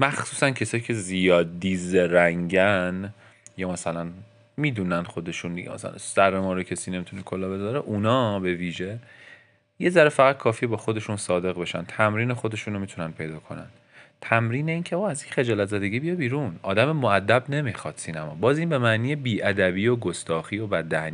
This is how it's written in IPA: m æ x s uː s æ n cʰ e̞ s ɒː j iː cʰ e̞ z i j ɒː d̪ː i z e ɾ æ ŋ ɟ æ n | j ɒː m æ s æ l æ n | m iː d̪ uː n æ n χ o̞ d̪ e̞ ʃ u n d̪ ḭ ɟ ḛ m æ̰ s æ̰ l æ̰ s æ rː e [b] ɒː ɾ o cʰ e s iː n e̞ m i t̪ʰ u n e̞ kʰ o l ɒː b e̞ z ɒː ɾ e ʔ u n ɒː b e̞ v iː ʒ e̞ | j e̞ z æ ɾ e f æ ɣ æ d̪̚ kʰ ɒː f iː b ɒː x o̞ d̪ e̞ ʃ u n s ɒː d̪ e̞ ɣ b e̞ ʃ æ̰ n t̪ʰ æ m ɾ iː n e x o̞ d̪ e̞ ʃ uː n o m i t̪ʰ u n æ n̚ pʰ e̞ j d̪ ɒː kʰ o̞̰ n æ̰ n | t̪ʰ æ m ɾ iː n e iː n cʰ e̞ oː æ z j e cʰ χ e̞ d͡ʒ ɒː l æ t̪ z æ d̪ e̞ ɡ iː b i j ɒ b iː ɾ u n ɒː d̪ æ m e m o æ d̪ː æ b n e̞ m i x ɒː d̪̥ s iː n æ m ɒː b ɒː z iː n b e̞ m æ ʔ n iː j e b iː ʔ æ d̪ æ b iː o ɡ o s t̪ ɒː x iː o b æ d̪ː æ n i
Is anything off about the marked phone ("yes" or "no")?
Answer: yes